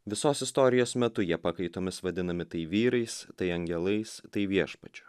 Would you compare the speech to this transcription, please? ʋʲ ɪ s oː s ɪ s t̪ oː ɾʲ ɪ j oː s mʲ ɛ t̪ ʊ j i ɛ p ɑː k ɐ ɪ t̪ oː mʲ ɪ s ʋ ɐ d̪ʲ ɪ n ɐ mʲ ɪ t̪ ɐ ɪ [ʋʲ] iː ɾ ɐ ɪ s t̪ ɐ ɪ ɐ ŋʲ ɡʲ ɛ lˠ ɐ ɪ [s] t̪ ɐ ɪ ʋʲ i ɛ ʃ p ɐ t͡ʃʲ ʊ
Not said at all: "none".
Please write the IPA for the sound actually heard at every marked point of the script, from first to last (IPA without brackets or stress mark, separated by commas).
ʋʲ, s